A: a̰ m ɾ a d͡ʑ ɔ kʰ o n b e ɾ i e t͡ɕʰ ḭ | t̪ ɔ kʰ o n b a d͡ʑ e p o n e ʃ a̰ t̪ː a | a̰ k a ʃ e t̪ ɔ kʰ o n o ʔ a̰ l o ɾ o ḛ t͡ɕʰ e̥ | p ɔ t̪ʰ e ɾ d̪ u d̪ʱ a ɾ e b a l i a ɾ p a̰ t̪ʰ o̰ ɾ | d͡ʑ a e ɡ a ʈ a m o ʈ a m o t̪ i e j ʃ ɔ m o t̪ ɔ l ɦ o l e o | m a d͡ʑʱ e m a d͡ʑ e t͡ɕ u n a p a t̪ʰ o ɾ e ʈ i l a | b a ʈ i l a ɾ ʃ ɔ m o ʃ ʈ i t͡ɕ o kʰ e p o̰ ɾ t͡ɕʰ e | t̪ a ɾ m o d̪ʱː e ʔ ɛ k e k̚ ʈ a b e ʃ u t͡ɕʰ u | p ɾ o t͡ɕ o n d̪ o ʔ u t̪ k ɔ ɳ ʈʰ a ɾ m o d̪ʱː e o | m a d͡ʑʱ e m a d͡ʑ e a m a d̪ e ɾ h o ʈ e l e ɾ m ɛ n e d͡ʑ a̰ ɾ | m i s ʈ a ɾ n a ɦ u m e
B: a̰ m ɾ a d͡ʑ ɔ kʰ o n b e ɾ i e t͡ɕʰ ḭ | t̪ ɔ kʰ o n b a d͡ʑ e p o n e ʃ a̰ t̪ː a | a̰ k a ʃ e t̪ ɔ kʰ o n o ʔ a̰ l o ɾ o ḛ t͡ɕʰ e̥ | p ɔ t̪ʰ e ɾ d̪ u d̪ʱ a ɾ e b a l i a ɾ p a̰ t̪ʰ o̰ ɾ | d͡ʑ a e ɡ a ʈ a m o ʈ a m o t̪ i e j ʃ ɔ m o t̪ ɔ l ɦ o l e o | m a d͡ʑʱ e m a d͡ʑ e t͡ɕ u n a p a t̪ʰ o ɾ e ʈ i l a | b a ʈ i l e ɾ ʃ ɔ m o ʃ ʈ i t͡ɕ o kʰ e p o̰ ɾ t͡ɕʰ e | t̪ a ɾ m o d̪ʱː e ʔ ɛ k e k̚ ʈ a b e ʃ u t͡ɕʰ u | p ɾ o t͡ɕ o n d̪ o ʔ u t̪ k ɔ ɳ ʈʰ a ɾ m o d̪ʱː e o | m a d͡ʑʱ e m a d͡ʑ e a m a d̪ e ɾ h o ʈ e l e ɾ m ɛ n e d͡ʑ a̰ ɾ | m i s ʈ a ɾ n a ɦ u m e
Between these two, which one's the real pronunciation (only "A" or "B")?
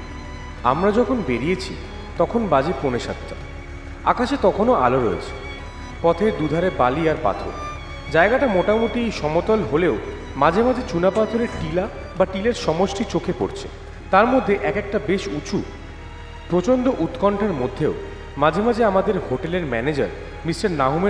B